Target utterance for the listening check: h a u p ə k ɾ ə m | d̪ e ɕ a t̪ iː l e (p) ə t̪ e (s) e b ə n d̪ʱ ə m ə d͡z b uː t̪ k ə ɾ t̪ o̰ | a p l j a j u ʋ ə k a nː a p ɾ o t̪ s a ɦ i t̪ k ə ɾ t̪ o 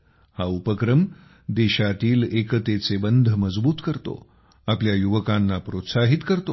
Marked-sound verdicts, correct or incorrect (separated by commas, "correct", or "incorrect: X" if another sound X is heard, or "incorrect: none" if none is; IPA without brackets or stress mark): incorrect: k, incorrect: t͡s